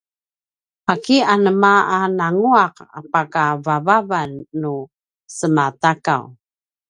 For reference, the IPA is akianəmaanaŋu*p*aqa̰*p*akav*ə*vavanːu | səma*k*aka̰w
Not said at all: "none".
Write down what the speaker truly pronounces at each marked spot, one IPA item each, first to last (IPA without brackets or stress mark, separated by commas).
none, p, a, t